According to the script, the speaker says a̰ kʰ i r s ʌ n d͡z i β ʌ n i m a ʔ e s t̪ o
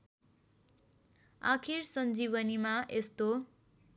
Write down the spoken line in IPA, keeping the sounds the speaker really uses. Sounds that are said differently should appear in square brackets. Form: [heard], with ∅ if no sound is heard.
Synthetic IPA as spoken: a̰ kʰ i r s ʌ n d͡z i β ʌ n i m a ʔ e s t̪ o